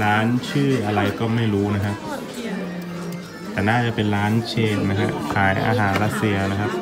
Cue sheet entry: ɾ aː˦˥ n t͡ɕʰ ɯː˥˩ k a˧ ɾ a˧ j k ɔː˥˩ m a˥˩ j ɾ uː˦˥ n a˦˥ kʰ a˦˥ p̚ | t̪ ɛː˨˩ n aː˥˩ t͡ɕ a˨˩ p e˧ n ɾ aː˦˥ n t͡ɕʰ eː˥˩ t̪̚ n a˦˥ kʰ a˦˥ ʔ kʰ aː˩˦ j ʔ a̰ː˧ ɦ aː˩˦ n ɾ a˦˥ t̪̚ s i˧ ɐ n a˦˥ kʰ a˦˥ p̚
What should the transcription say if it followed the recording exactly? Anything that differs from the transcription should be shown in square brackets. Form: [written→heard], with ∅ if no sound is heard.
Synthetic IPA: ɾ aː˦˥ n t͡ɕʰ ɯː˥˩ [k→ʔ] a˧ ɾ a˧ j k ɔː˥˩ m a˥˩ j ɾ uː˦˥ n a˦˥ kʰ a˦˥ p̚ | t̪ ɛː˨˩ n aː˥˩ t͡ɕ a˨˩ p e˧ n ɾ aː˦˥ n t͡ɕʰ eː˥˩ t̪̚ n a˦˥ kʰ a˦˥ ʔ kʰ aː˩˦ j ʔ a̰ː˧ ɦ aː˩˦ n ɾ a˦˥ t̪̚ s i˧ ɐ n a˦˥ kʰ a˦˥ p̚